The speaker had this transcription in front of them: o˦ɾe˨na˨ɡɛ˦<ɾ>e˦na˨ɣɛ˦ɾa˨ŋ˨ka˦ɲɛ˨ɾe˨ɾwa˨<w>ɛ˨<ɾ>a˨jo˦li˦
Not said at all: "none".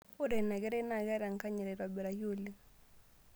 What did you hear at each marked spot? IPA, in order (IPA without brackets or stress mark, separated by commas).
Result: ɾ, b, ɾ